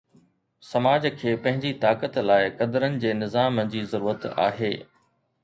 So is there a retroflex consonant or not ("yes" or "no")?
no